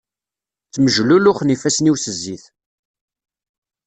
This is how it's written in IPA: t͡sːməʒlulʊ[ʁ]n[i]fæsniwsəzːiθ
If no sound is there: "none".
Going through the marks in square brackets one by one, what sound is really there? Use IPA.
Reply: χ, i

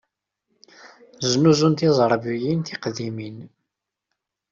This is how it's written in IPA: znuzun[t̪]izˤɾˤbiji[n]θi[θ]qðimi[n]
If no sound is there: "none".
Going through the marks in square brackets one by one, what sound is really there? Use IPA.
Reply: t̪, n, none, n

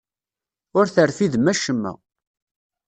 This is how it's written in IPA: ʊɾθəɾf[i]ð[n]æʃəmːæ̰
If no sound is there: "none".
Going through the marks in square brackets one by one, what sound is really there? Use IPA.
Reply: i, m

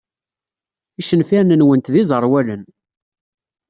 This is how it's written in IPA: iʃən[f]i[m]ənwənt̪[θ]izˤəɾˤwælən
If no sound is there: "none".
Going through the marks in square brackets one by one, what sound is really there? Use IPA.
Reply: f, n, ð

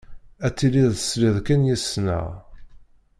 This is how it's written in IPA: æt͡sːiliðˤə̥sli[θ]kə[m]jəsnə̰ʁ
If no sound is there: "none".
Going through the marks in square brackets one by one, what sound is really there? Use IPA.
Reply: ð, n

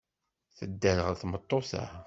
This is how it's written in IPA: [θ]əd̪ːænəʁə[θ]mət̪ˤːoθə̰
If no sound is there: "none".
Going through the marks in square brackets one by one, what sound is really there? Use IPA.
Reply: θ, θ

